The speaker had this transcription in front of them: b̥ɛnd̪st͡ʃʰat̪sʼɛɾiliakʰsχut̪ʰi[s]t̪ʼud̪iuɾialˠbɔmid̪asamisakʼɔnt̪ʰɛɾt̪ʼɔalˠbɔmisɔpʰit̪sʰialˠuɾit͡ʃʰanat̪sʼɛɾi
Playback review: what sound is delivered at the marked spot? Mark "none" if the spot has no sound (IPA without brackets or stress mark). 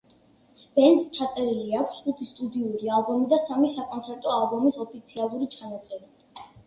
s